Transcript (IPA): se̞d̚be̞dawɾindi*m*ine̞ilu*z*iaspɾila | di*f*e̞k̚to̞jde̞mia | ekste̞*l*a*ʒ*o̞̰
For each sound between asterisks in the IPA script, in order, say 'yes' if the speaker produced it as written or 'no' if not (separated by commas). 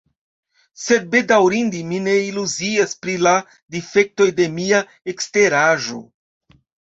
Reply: yes, yes, yes, no, yes